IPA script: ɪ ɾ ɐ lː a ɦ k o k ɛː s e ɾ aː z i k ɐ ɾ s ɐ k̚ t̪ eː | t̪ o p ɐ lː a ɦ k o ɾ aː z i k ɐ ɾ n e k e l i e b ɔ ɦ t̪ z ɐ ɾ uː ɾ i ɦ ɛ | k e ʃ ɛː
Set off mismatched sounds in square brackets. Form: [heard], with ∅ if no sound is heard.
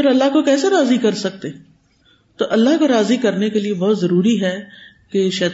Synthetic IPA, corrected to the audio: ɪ ɾ ɐ lː a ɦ k o k ɛː s e ɾ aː z i k ɐ ɾ s ɐ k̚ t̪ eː | t̪ o [ʔ] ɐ lː a ɦ k o ɾ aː z i k ɐ ɾ n e k e l i e b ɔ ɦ t̪ z ɐ ɾ uː ɾ i ɦ ɛ | k e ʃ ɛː